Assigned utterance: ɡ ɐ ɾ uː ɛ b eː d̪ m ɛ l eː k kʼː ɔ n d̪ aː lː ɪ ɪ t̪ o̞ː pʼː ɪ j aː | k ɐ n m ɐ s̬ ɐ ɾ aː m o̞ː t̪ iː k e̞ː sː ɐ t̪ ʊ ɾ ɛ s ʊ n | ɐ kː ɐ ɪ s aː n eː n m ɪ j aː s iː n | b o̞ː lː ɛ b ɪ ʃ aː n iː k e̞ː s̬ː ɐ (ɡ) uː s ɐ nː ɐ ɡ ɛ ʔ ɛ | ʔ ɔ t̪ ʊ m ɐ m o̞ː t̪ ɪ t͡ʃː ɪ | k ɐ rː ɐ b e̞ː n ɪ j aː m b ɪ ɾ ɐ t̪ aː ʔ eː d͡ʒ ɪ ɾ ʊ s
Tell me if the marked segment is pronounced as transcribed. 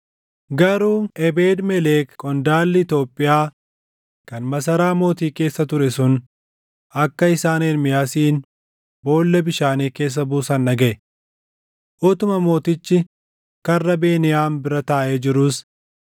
no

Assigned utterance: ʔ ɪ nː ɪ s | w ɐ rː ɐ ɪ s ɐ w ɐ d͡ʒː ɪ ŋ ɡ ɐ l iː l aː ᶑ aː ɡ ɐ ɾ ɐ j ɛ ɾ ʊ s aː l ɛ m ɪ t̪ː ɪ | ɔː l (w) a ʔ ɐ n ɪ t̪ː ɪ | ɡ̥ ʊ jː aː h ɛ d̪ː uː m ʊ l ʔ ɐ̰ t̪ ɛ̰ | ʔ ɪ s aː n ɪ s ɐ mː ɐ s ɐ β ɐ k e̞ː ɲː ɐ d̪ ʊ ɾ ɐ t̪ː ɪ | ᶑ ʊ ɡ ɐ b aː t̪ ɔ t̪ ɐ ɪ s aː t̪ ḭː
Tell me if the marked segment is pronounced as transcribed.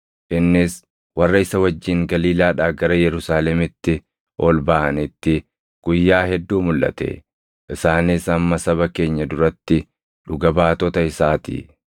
no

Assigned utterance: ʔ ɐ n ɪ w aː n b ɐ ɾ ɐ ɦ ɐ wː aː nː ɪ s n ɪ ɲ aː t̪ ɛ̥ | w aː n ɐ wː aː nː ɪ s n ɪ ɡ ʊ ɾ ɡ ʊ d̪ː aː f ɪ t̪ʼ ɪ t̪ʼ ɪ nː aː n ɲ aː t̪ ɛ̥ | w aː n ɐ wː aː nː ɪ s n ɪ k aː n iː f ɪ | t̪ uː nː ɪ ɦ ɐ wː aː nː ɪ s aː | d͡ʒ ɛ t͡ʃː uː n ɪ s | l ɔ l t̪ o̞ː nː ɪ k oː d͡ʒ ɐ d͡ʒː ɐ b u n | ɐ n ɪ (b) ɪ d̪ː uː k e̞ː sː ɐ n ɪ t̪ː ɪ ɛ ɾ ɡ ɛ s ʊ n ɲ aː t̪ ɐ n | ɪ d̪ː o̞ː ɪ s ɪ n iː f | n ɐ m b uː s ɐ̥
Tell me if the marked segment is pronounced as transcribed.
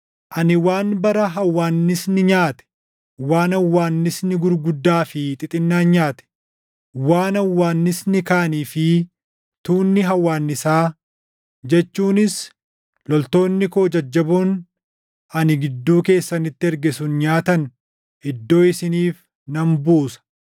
no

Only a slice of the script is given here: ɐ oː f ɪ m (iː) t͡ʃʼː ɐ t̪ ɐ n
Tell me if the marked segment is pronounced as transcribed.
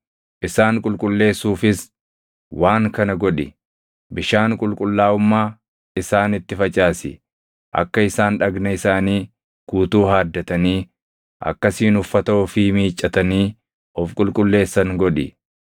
yes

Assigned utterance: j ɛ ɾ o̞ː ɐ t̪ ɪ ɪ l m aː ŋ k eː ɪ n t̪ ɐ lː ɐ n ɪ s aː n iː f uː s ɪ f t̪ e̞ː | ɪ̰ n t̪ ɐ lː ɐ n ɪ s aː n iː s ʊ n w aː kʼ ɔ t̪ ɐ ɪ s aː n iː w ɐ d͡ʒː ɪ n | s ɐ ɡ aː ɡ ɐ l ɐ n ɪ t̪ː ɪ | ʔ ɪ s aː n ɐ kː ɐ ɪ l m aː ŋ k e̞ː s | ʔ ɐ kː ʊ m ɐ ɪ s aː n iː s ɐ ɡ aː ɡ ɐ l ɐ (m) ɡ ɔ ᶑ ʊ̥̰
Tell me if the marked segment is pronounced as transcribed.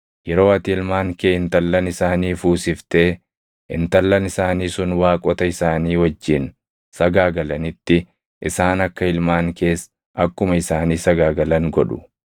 no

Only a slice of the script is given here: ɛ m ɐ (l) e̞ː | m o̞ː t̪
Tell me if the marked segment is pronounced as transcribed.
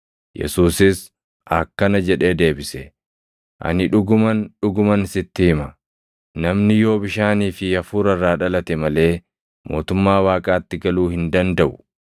yes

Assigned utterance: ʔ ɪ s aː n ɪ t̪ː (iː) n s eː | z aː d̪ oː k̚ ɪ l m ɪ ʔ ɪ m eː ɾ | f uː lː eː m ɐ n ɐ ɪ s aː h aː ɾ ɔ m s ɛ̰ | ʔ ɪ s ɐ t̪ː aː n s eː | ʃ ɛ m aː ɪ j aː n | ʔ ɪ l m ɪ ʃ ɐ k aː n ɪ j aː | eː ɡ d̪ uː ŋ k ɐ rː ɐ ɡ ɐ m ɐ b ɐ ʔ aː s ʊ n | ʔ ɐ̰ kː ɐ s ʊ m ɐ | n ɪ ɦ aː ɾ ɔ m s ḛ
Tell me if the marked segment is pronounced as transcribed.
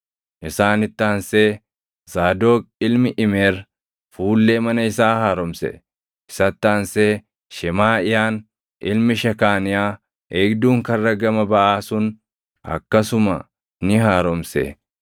no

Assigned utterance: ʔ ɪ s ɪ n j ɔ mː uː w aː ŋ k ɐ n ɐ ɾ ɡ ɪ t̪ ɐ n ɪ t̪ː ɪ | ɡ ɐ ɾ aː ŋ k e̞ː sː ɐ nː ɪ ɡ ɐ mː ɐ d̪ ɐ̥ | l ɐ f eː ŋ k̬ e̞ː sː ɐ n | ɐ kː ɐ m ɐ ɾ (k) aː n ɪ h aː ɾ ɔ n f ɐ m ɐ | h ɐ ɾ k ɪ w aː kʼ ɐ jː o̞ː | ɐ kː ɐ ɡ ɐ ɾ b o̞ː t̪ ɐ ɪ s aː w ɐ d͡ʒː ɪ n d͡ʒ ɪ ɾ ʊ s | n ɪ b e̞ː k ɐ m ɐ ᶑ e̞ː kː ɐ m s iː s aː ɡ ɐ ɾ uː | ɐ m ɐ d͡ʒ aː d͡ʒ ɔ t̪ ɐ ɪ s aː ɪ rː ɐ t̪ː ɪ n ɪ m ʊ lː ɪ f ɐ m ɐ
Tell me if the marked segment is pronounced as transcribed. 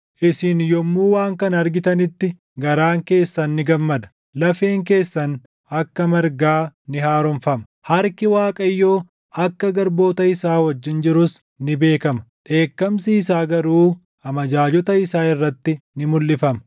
no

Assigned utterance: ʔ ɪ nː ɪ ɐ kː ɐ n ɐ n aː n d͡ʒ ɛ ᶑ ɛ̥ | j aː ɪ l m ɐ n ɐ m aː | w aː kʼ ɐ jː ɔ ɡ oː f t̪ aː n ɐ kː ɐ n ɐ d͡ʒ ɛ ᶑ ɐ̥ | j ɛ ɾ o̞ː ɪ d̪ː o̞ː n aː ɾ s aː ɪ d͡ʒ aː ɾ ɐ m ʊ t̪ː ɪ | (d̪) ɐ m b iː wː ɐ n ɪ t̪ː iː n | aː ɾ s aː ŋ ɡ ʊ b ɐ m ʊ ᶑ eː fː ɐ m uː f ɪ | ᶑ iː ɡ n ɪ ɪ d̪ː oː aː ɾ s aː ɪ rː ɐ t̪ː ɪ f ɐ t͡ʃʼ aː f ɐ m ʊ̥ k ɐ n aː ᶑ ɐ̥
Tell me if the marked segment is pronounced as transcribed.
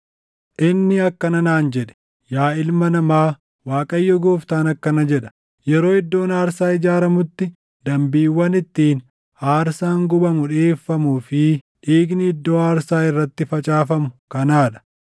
yes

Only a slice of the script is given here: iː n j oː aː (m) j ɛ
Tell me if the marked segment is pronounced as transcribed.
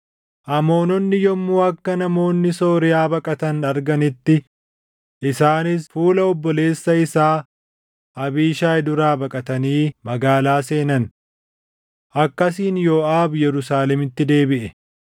no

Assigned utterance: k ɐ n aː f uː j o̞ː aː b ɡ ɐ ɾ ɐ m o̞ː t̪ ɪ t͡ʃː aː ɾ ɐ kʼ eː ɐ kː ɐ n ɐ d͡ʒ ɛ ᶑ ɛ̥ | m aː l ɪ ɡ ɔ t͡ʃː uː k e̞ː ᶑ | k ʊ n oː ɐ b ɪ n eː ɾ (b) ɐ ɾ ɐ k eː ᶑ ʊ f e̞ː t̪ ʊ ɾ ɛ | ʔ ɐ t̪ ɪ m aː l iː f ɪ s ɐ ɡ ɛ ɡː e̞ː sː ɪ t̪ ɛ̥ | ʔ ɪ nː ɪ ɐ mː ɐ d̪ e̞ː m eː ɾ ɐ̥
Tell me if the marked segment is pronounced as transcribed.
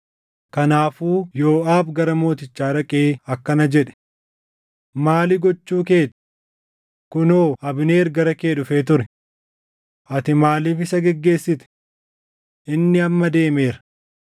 no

